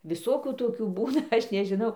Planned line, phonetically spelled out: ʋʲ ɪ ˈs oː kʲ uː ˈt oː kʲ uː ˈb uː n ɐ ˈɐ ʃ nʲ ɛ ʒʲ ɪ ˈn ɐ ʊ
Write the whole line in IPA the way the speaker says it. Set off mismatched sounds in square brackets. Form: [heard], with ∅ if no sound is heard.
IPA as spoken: ʋʲ ɪ ˈs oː kʲ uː ˈt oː kʲ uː ˈb uː n ɐ ˈɐ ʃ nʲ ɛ ʒʲ ɪ ˈn ɐ ʊ